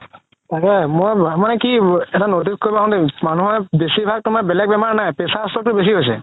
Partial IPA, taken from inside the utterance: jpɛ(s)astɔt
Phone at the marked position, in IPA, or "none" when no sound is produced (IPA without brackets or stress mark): s